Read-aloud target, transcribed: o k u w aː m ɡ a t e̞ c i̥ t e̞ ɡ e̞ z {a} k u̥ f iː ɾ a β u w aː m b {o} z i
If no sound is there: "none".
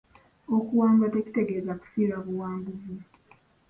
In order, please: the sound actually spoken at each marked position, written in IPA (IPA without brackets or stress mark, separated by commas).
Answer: a, u